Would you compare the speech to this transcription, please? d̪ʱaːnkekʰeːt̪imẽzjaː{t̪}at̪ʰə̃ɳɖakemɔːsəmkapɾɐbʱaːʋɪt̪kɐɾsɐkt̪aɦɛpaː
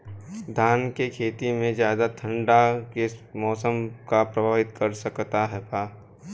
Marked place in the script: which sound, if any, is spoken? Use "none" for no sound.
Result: d̪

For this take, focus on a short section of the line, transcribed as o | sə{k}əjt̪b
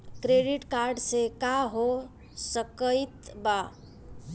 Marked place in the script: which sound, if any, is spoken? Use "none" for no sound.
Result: k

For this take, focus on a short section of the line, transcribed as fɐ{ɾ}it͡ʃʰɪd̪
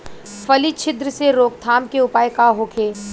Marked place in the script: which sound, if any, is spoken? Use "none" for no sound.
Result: l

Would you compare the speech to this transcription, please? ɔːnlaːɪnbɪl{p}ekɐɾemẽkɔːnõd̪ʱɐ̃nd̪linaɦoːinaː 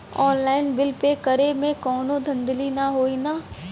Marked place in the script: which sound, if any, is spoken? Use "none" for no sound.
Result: p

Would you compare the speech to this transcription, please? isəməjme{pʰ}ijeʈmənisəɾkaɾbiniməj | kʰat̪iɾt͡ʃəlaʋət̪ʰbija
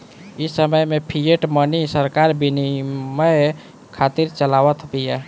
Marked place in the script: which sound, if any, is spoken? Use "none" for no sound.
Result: pʰ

